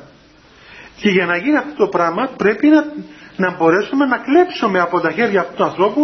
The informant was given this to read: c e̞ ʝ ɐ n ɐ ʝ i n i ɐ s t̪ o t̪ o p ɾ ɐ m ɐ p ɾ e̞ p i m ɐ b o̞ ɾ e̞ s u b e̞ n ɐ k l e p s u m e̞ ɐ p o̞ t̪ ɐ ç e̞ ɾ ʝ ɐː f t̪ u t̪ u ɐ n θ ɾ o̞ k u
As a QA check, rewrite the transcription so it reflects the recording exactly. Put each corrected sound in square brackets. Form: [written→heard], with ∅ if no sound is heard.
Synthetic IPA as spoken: c e̞ ʝ ɐ n ɐ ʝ i n i ɐ [s→f] t̪ o t̪ o p ɾ ɐ m ɐ p ɾ e̞ p i [m→n] ɐ b o̞ ɾ e̞ s u [b→m] e̞ n ɐ k l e p s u m e̞ ɐ p o̞ t̪ ɐ ç e̞ ɾ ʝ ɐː f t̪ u t̪ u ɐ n θ ɾ o̞ [k→p] u